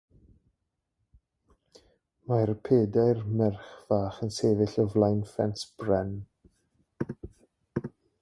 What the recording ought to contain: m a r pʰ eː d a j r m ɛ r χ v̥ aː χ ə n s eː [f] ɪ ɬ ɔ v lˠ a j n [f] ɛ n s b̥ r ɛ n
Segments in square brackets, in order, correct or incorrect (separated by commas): incorrect, correct